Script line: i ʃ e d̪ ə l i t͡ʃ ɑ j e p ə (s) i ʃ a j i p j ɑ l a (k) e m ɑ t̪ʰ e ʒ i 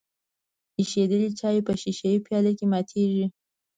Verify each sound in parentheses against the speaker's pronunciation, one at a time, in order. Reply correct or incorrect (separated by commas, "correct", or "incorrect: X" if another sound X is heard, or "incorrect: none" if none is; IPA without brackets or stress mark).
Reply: incorrect: ʃ, correct